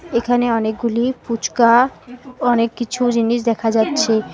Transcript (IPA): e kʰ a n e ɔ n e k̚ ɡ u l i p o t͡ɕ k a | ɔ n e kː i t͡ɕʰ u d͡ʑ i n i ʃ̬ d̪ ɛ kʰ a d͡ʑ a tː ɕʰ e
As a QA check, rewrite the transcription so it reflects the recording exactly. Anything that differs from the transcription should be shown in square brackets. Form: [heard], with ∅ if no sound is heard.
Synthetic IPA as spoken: e kʰ a n e ɔ n e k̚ ɡ u l i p [u] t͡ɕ k a | ɔ n e kː i t͡ɕʰ u d͡ʑ i n i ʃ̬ d̪ ɛ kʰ a d͡ʑ a tː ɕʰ e